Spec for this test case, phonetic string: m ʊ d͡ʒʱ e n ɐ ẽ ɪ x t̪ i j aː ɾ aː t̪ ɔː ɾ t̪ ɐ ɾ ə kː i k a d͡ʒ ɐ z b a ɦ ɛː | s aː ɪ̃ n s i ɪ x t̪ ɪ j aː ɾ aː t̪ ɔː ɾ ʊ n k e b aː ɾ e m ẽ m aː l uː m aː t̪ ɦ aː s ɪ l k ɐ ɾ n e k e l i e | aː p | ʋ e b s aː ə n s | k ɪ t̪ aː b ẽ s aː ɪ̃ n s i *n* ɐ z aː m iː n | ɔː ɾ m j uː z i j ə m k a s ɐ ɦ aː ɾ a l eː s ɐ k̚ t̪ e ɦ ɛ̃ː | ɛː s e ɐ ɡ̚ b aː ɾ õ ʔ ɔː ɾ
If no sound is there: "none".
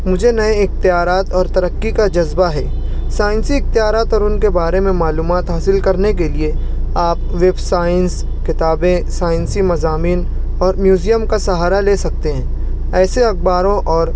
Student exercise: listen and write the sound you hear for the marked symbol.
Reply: m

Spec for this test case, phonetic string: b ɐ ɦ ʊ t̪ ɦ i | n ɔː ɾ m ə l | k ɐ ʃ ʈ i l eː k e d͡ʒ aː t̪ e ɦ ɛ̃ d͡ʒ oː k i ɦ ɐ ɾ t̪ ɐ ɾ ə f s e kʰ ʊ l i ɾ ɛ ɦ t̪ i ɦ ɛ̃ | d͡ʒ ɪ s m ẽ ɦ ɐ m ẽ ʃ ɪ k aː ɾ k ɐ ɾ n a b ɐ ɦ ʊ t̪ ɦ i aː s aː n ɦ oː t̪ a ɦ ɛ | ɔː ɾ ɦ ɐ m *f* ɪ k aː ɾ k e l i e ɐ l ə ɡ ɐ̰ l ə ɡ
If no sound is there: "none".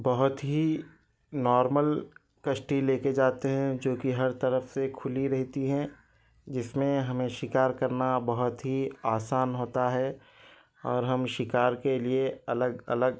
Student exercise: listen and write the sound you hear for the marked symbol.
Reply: ʃ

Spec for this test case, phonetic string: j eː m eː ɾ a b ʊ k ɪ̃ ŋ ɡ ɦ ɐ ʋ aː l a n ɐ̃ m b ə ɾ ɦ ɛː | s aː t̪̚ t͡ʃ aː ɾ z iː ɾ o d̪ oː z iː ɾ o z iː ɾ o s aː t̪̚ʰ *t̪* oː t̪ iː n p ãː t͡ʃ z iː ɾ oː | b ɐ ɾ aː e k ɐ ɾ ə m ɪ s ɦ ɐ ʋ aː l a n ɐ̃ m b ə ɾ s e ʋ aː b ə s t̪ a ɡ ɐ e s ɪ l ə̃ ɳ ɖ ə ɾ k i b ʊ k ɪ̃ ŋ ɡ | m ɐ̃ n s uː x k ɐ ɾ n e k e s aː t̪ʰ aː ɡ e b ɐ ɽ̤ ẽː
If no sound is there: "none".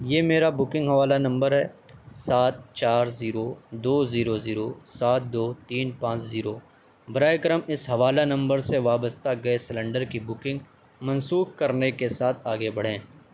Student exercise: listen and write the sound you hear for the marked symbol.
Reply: d̪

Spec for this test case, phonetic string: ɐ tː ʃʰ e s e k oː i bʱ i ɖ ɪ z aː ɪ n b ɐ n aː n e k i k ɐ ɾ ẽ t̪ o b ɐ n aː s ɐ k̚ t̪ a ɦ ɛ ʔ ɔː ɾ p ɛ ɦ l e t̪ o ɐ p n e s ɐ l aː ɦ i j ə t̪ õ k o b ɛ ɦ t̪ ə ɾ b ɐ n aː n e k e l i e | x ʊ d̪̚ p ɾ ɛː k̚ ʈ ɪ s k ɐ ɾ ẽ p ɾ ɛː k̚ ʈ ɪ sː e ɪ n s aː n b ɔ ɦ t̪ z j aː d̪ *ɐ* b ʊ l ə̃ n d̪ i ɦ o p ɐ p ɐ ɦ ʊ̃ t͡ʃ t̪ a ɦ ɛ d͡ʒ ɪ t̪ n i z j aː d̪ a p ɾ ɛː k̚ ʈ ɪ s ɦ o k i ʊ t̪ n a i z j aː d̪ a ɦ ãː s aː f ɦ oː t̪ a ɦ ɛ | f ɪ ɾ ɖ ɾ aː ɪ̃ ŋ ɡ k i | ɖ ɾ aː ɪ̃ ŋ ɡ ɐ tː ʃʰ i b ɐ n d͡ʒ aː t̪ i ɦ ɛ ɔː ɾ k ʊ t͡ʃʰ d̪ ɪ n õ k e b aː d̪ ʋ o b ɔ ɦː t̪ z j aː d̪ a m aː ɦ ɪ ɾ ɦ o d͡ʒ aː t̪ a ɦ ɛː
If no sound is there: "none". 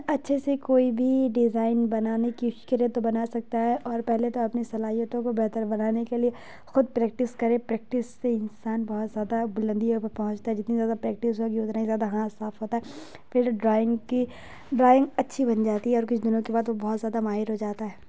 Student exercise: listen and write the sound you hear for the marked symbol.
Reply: a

